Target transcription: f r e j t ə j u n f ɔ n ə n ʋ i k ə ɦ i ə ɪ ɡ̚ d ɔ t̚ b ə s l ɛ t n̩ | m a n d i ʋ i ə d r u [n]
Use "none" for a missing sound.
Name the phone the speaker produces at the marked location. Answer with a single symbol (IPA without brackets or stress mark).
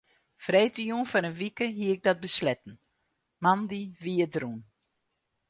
n